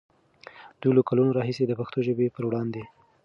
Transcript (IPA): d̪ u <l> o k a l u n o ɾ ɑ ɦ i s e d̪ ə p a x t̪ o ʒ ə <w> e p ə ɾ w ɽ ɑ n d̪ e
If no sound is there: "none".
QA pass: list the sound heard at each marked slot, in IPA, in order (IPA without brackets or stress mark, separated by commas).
l, b